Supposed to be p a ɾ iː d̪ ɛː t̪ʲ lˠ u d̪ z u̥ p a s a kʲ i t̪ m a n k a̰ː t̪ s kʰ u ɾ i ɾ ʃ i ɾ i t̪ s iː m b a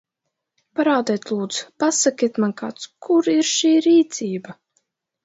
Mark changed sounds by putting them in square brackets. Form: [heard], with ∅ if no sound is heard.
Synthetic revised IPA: p a ɾ [aː] d̪ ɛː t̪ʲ lˠ [uː] d̪ z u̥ p a s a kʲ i t̪ m a n k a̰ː t̪ s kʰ u ɾ i ɾ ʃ [iː] ɾ [iː] t̪ s iː [∅] b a